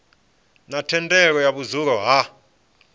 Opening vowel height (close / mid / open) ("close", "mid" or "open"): open